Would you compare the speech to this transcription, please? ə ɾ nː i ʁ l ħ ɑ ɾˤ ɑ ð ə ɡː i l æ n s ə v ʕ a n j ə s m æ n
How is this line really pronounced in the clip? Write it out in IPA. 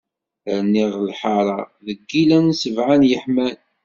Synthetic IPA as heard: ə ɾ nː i ʁ l ħ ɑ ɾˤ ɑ ð ə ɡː i l æ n s ə v ʕ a n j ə ħ m æ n

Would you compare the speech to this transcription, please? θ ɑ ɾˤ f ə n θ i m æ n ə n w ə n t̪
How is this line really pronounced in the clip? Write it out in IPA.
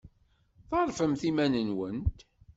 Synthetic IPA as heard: θ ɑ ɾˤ f ə m θ i m æ n ə n w ə n t̪

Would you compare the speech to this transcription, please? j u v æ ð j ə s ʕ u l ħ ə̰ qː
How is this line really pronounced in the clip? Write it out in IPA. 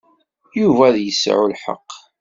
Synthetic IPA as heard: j u v æ ð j ə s ʕ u l ħ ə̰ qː

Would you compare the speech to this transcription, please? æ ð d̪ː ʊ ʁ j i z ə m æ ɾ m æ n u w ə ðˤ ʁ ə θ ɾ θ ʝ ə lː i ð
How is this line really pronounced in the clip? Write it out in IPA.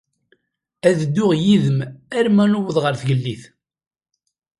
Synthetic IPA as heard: æ ð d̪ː ʊ ʁ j i ð ə m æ ɾ m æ n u w ə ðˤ ʁ ə ɾ θ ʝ ə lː i θ

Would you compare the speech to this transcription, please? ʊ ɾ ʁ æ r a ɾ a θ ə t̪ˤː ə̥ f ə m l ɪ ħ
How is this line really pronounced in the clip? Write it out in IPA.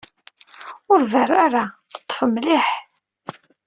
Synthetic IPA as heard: ʊ ɾ v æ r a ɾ a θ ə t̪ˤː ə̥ f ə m l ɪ ħ

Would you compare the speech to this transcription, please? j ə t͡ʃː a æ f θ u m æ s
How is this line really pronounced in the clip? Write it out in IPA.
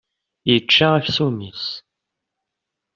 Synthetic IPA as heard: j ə t͡ʃː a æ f s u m i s

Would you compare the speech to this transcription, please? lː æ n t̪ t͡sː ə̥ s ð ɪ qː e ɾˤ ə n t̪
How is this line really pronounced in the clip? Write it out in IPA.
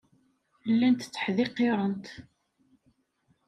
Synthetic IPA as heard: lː æ n t̪ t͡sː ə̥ ħ ð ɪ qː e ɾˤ ə n t̪

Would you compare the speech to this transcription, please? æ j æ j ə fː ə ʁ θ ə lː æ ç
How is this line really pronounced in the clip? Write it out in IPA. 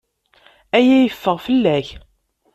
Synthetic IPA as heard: æ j æ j ə fː ə ʁ f ə lː æ ç

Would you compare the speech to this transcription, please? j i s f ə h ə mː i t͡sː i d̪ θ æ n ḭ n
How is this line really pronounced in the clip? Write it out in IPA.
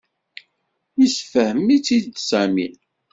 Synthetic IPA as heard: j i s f ə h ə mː i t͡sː i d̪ s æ m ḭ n

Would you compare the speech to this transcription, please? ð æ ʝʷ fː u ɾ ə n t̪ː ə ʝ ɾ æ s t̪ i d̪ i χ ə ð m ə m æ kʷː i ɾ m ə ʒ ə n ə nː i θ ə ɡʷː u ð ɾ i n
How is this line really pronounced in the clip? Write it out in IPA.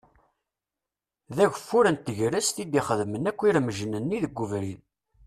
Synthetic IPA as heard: ð æ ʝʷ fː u ɾ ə n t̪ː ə ʝ ɾ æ s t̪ i d̪ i χ ə ð m ə n æ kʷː i ɾ m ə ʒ ə n ə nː i ð ə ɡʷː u v ɾ i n

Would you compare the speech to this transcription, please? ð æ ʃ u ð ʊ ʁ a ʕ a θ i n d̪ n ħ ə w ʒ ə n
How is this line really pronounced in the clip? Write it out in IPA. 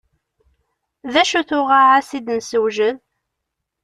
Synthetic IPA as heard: ð æ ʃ u θ ʊ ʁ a ʕ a s i d̪ n s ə w ʒ ə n

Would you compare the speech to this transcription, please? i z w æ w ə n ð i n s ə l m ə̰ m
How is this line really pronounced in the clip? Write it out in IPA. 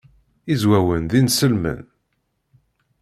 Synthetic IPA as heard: i z w æ w ə n ð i n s ə l m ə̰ n

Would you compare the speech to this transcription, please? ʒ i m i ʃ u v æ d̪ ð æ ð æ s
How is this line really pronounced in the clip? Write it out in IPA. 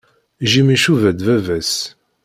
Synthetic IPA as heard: ʒ i m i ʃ u v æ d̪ v æ v æ s

